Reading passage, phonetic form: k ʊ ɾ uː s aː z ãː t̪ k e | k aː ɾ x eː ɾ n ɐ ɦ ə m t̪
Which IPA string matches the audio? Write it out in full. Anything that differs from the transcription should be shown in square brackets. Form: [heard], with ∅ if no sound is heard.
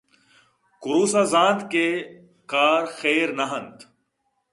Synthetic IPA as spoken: k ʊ ɾ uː s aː z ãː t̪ k e | k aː ɾ x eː ɾ n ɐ ɦ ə [n] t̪